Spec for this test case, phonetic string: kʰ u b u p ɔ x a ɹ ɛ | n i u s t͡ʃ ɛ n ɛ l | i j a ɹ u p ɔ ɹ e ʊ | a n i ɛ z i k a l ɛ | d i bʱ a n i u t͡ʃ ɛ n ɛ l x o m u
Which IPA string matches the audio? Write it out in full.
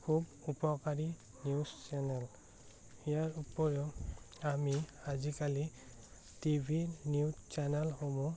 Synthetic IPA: kʰ u b u p ɔ k a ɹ i | n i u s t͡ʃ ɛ n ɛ l | i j a ɹ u p ɔ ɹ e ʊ | a m i a z i k a l i | t i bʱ i n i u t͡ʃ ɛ n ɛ l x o m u